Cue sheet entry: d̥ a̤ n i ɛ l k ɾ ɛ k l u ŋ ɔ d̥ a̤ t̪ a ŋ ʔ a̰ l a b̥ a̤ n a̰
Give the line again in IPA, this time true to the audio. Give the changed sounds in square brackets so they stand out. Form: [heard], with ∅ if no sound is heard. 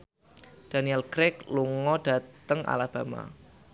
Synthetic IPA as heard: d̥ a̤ n i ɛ l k ɾ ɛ k l u ŋ ɔ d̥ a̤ t̪ [ə] ŋ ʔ a̰ l a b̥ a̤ [m] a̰